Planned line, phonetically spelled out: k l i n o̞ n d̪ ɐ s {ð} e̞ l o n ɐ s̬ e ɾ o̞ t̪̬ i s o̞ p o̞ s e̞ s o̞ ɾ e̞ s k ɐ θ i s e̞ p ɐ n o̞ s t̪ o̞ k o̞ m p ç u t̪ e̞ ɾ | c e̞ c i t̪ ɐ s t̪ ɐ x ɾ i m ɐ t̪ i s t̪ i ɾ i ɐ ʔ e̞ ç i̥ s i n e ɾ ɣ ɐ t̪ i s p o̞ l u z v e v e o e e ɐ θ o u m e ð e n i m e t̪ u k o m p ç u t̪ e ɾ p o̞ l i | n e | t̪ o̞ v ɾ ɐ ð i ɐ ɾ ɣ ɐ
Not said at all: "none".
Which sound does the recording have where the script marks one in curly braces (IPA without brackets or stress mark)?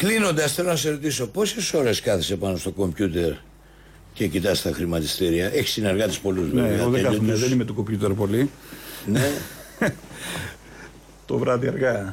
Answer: θ